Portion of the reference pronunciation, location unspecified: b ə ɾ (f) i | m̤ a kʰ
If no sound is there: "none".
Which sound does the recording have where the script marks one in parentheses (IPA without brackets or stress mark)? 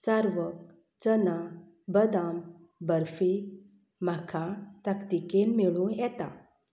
f